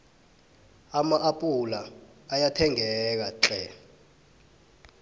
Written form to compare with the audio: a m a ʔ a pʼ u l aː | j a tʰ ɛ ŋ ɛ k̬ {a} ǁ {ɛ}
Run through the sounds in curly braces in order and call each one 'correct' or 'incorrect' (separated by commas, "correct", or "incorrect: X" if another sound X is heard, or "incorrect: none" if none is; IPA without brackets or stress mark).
correct, correct